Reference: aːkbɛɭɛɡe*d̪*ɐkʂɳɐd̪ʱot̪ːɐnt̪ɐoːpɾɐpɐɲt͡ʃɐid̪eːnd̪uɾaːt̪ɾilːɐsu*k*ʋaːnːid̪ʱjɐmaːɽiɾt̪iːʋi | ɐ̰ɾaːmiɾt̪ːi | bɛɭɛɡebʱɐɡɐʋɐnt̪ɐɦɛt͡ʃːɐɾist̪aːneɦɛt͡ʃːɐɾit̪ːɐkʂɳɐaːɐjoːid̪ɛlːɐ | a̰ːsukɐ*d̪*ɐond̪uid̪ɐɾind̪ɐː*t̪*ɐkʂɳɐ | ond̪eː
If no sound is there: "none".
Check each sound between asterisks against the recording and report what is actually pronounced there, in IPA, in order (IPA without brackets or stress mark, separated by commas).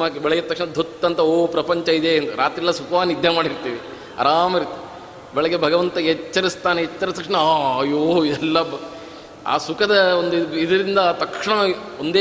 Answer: t̪, k, d̪, t̪